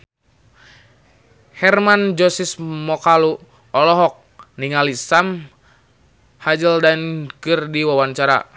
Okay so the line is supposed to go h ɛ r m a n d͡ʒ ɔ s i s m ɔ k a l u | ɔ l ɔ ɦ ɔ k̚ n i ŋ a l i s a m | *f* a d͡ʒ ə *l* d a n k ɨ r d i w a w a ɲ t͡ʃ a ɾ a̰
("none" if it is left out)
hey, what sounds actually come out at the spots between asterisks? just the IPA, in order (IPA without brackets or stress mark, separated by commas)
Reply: h, l